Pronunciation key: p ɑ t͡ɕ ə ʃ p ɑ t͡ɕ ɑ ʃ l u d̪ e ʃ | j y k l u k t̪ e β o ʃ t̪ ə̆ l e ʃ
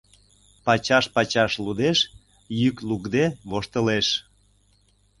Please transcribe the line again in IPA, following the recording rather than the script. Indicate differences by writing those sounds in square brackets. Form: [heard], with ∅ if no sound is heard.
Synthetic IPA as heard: p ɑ t͡ɕ [ɑ] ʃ p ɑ t͡ɕ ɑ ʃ l u d̪ e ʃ | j y k l u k [d̪] e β o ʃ t̪ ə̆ l e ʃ